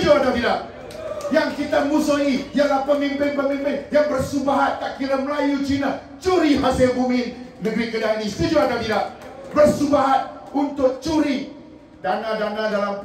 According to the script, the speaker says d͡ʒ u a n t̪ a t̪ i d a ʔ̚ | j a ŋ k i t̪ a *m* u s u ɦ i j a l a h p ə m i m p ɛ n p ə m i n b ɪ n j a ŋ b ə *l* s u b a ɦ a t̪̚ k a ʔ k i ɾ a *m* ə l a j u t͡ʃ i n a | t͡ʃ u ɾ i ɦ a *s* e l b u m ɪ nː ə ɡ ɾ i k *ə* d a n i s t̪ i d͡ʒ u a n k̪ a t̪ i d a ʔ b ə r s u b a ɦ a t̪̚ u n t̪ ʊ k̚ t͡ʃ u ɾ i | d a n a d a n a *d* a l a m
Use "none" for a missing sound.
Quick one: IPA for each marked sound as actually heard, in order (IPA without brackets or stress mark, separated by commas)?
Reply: m, r, m, s, ə, d